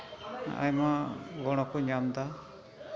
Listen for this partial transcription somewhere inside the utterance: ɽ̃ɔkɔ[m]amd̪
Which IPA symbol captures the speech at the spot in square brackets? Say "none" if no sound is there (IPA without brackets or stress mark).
ɲ